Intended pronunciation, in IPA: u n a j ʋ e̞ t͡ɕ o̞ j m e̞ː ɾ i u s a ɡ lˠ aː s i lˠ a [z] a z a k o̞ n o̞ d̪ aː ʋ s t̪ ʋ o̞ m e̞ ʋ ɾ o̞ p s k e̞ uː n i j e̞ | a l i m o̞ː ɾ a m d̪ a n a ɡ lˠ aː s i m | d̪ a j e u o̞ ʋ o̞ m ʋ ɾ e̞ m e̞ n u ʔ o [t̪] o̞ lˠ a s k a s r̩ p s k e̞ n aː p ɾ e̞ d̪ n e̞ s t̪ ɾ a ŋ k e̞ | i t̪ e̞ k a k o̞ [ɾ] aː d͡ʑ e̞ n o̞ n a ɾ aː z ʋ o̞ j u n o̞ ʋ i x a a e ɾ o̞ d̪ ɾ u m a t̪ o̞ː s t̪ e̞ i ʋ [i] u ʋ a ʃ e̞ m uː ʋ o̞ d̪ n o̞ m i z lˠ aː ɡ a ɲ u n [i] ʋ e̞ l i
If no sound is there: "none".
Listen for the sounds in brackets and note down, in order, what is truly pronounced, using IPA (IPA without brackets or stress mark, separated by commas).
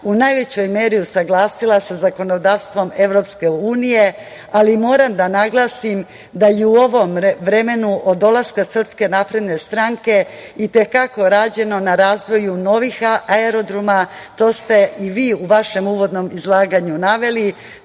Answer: s, d̪, ɾ, iː, a